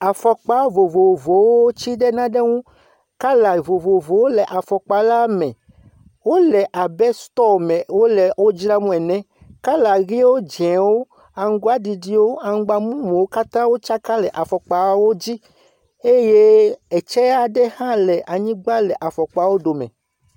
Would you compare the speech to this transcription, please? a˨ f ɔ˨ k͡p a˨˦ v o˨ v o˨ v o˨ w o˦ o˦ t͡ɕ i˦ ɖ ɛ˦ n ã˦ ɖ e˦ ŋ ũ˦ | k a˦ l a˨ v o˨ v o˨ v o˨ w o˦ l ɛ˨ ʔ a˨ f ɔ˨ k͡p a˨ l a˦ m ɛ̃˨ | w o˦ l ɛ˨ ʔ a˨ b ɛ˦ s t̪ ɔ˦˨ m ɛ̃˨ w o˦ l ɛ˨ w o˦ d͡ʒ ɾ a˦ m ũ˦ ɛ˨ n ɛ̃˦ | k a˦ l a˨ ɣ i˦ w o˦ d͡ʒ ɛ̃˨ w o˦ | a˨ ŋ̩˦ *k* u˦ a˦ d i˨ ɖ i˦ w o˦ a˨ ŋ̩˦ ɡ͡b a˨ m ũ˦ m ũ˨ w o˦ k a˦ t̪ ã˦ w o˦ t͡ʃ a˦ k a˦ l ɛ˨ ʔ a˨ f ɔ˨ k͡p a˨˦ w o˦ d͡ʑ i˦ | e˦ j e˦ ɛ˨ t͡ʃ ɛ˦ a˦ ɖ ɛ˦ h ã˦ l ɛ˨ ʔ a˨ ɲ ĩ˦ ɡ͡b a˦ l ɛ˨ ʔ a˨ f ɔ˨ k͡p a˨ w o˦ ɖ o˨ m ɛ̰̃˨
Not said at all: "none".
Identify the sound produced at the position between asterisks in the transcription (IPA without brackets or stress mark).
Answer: ɡ